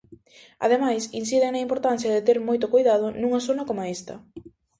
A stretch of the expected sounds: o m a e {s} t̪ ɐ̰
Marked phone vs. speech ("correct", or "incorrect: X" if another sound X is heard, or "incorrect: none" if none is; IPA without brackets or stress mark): correct